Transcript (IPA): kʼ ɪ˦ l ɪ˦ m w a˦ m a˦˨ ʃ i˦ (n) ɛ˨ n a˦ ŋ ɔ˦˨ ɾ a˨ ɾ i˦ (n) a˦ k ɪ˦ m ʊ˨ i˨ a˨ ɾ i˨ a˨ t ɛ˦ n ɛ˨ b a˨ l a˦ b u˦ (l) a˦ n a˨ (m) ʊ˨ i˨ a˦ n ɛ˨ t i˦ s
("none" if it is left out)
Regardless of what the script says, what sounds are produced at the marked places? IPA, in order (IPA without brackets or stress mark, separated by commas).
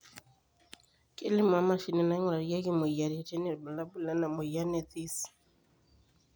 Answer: n, none, l, m